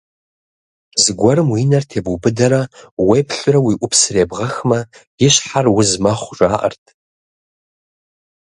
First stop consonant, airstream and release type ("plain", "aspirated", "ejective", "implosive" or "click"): plain